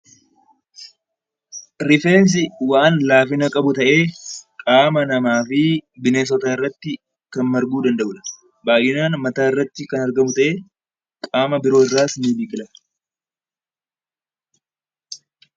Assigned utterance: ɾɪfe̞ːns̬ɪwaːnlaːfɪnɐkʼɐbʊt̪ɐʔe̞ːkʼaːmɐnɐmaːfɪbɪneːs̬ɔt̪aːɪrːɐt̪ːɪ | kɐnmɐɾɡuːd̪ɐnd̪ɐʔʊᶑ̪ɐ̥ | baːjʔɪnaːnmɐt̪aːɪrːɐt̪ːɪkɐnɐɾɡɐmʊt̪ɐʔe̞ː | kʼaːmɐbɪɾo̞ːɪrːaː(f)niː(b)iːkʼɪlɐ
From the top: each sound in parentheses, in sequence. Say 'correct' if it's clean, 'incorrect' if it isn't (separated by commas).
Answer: incorrect, correct